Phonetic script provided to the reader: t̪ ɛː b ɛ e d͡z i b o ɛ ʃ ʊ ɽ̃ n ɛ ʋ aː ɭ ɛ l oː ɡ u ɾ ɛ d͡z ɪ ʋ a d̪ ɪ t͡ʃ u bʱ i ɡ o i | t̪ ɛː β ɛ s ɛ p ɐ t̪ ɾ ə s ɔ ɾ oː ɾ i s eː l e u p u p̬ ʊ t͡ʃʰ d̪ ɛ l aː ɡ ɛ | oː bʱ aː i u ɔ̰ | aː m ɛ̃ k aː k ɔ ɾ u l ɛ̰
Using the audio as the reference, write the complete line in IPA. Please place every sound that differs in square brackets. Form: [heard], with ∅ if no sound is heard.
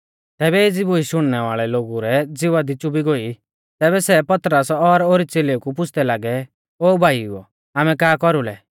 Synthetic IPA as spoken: t̪ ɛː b ɛ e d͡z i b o [i] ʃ ʊ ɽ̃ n ɛ ʋ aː ɭ ɛ l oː ɡ u ɾ ɛ d͡z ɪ ʋ a d̪ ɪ t͡ʃ u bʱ i ɡ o i | t̪ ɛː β ɛ s ɛ p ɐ t̪ ɾ ə s ɔ ɾ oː ɾ i [t͡s] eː l e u [k] u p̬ ʊ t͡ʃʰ d̪ ɛ l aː ɡ ɛ | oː bʱ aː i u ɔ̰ | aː m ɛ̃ k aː k ɔ ɾ u l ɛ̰